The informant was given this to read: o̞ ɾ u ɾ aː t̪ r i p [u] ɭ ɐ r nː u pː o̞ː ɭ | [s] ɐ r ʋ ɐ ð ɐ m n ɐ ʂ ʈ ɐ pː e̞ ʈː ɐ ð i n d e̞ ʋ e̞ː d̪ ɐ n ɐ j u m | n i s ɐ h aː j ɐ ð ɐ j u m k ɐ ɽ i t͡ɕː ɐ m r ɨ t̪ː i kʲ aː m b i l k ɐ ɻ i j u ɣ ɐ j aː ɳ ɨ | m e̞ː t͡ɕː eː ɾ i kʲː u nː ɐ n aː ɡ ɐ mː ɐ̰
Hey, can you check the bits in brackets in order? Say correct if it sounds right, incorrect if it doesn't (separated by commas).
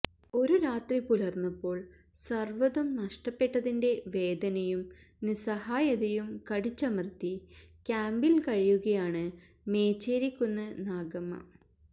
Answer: correct, correct